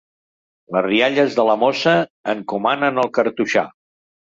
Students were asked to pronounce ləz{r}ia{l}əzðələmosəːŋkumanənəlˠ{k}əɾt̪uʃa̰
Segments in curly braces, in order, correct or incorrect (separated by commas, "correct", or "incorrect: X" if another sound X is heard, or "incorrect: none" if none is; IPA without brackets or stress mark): correct, incorrect: ʎ, correct